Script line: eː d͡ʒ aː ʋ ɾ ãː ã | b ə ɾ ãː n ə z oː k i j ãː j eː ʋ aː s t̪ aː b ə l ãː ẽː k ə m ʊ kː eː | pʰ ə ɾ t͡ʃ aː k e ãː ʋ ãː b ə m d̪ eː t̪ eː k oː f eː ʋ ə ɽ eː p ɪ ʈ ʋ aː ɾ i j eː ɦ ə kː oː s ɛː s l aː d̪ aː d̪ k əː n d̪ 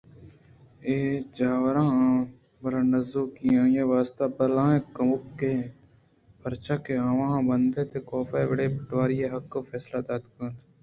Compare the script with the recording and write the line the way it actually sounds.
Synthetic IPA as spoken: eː d͡ʒ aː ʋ ɾ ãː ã | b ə ɾ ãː n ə z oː k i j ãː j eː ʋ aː s t̪ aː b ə l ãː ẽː k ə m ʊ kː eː | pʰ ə ɾ t͡ʃ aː k e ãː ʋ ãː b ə n d̪ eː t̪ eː k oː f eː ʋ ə ɽ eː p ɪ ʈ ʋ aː ɾ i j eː ɦ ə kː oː f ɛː s l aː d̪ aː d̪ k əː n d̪

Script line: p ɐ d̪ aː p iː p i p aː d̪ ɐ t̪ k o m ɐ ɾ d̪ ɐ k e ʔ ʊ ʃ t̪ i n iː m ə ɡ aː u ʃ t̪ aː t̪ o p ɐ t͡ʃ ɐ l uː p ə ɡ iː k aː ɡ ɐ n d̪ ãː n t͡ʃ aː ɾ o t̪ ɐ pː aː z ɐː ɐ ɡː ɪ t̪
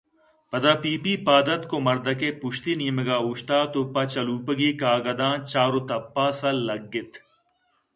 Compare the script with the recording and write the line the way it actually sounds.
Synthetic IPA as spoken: p ɐ d̪ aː p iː p i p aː d̪ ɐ t̪ k o m ɐ ɾ d̪ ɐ k e p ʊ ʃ t̪ i n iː m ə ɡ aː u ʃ t̪ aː t̪ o p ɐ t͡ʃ ɐ l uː p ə ɡ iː k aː ɡ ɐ d̪ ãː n t͡ʃ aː ɾ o t̪ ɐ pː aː s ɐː ɐ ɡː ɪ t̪

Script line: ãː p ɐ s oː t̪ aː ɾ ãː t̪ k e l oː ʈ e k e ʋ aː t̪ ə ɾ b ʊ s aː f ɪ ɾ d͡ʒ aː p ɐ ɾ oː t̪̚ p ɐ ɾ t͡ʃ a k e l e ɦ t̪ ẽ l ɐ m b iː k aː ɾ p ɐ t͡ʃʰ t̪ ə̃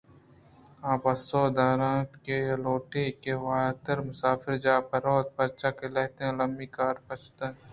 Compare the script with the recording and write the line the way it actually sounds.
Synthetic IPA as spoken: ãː p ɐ s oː d̪ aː ɾ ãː t̪ k e l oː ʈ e k e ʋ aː t̪ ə ɾ m ʊ s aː f ɪ ɾ d͡ʒ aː p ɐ ɾ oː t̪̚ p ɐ ɾ t͡ʃ a k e l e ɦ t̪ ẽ l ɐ m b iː k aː ɾ p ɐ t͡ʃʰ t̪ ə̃

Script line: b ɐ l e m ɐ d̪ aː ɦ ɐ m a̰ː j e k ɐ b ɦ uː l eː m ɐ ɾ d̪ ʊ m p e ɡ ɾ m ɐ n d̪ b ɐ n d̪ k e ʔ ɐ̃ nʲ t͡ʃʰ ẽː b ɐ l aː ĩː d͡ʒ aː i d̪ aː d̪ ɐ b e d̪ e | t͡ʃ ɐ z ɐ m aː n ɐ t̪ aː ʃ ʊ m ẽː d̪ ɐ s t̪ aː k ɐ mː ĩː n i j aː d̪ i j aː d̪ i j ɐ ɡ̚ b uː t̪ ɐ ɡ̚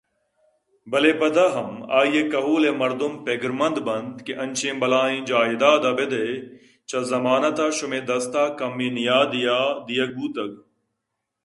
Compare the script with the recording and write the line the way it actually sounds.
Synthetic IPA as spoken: b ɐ l e b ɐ d̪ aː ɦ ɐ m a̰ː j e k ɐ ɦ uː l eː m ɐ ɾ d̪ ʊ m p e ɡ ɾ m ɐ n d̪ b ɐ n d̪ k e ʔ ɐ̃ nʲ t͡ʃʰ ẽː b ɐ l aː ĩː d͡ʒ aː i d̪ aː d̪ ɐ b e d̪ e | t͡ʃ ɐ z ɐ m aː n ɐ t̪ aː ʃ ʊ m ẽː d̪ ɐ s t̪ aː k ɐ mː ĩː n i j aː d̪ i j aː d̪ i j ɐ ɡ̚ b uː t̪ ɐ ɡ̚

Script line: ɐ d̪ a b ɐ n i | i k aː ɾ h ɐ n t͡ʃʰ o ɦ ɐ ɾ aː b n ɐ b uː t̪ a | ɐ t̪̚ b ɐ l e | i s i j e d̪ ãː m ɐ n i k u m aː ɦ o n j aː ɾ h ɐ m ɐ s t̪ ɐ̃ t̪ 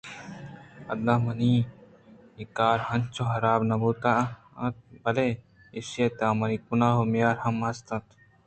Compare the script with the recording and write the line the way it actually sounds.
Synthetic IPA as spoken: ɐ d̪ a m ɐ n i | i k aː ɾ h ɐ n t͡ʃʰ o ɦ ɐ ɾ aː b n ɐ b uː t̪ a | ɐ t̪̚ b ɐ l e | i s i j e t̪ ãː m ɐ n i k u n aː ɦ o m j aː ɾ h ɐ m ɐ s t̪ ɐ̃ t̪

